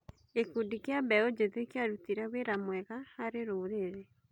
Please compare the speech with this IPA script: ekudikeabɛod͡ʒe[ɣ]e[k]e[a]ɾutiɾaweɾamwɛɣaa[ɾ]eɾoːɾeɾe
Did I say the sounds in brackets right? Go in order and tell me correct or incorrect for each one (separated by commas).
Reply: incorrect, correct, correct, correct